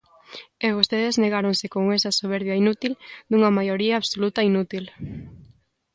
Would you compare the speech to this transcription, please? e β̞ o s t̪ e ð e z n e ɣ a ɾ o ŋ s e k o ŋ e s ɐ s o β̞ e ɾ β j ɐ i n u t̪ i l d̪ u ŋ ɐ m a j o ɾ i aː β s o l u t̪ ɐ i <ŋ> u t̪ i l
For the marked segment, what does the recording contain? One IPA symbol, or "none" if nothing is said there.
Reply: n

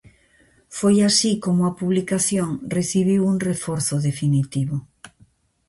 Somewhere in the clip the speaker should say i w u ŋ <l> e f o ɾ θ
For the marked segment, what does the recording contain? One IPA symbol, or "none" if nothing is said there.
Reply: r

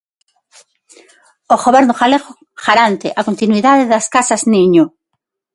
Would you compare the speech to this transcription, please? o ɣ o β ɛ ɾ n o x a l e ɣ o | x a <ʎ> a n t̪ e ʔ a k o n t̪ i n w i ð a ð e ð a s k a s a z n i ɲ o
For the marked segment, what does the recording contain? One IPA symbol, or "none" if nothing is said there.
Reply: ɾ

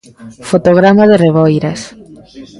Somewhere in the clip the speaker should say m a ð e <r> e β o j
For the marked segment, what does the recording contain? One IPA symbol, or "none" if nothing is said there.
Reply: r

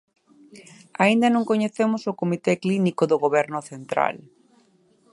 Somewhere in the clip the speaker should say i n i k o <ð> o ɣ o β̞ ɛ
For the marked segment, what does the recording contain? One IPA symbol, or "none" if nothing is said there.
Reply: ð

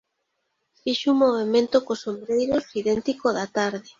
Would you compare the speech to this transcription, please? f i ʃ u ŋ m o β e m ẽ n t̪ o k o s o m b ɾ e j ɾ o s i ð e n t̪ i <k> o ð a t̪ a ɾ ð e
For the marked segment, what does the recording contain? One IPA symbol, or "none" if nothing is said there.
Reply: k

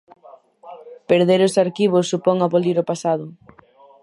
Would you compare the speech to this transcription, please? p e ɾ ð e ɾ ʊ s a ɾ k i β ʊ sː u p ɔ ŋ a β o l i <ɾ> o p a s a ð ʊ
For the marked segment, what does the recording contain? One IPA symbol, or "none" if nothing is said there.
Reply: ɾ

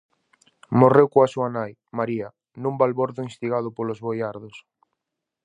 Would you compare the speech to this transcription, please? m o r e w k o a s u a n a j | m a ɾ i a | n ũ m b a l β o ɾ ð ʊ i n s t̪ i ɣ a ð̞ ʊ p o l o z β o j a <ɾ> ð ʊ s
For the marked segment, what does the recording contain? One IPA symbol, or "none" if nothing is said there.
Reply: ɾ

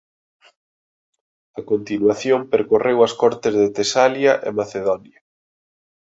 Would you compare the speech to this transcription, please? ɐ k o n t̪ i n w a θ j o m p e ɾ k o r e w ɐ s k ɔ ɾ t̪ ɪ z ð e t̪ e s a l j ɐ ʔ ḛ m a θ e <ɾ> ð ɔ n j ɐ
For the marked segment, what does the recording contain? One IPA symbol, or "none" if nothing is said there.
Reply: none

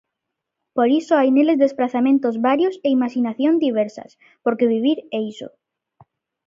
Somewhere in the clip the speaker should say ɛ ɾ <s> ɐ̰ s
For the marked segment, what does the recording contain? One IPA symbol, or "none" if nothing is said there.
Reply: s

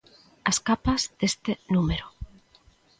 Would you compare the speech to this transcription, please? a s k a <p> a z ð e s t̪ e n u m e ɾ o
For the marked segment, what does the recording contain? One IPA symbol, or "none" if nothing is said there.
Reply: p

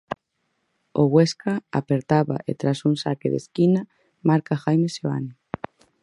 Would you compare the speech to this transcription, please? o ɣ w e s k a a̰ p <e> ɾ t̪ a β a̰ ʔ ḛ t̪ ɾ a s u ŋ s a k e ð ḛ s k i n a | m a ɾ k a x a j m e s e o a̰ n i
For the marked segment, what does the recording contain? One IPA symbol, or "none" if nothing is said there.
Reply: e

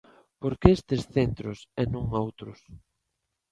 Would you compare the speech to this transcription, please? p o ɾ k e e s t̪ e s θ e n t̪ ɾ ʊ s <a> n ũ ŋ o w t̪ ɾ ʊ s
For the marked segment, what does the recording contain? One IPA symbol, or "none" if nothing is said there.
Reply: ɛ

